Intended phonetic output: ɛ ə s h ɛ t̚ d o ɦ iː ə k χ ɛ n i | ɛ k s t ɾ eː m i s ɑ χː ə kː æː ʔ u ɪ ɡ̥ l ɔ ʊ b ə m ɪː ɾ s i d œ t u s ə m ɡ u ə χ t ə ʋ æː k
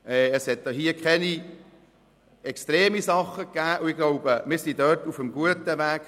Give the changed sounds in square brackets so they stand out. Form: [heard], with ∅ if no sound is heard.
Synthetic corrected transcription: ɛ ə s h ɛ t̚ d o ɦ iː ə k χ ɛ n i | ɛ k s t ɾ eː m i s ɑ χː ə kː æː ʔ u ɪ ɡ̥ l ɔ ʊ b ə m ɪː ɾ s i d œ t u [f] ə m ɡ u ə [∅] t ə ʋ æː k